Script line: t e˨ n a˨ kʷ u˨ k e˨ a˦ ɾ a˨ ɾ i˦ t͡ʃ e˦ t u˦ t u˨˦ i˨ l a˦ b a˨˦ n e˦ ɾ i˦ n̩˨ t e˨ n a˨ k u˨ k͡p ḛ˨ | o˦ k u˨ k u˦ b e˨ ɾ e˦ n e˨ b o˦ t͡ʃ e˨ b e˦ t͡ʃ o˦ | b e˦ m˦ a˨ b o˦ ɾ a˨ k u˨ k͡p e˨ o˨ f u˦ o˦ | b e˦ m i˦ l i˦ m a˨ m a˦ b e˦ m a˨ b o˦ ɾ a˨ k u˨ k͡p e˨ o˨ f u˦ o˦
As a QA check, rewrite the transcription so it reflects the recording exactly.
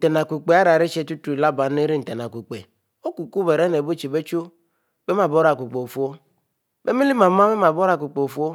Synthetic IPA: t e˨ n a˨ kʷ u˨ k͡p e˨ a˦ ɾ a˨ ɾ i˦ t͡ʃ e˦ t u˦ t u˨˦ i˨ l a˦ b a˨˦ n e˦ ɾ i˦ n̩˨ t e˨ n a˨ k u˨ k͡p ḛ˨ | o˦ k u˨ k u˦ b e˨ ɾ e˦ n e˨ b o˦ t͡ʃ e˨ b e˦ t͡ʃ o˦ | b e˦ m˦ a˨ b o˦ ɾ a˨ k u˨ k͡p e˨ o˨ f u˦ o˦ | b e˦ m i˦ l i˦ m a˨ m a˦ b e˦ m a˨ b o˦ ɾ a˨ k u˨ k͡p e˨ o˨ f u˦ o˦